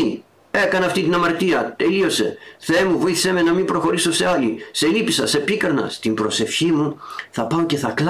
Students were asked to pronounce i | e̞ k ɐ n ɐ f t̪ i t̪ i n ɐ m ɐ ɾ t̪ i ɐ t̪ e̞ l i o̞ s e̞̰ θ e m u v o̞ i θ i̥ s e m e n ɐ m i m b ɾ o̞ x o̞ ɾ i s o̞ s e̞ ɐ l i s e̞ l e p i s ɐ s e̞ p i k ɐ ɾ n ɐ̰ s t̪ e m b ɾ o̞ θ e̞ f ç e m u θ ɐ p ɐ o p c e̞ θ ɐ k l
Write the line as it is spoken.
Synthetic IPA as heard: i | e̞ k ɐ n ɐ f t̪ i t̪ i n ɐ m ɐ ɾ t̪ i ɐ t̪ e̞ l i o̞ s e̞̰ θ e m u v o̞ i θ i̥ s e m e n ɐ m i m b ɾ o̞ x o̞ ɾ i s o̞ s e̞ ɐ l i s e̞ l i p i s ɐ s e̞ p i k ɐ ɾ n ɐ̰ s t̪ i m b ɾ o̞ s e̞ f ç i m u θ ɐ p ɐ o c e̞ θ ɐ k l